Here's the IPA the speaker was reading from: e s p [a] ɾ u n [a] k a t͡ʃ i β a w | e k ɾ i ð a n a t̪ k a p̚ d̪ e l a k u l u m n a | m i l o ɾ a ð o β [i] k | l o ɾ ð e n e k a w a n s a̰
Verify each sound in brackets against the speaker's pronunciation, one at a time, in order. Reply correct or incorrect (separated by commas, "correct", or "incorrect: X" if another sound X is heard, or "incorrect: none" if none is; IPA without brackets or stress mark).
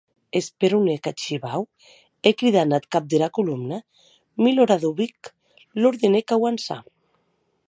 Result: incorrect: e, incorrect: e, correct